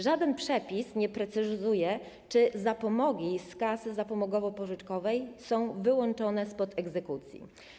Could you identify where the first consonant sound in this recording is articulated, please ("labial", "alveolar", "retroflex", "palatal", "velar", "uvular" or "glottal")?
retroflex